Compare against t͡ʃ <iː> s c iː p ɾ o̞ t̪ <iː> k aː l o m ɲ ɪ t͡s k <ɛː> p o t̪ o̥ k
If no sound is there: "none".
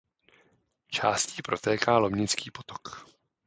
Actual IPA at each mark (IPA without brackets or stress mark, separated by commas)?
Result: aː, ɛː, iː